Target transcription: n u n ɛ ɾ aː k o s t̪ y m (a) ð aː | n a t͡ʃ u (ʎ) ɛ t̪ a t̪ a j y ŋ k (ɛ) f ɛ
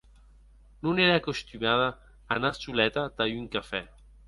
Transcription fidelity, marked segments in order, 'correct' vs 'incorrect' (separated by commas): correct, incorrect, incorrect